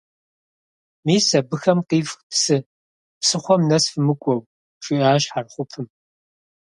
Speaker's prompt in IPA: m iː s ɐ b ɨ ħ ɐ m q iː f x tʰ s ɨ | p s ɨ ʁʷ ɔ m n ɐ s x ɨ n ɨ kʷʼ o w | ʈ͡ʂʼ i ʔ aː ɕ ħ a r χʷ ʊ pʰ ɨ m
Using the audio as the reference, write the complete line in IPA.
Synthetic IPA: m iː s ɐ b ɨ x ɐ m q iː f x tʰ s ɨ | p s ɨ χʷ ɔ m n ɐ s f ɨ m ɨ kʷʼ ɔ w | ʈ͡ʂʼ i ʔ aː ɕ ħ a r χʷ ʊ pʰ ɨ m